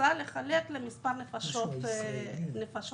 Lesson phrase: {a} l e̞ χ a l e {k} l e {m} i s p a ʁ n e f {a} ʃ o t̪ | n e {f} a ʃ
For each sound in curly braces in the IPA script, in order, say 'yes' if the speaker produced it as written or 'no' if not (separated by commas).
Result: yes, yes, yes, yes, yes